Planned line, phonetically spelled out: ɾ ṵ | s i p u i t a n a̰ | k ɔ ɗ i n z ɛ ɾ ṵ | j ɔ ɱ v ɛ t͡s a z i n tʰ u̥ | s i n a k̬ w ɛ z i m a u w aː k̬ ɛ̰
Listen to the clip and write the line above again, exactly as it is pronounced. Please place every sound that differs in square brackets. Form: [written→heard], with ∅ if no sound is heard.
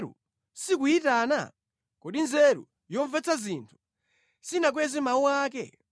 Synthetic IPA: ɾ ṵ | s i [p→k] u i t a n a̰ | k ɔ ɗ i n z ɛ ɾ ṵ | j ɔ ɱ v ɛ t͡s a z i n tʰ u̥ | s i n a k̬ w ɛ z i m a u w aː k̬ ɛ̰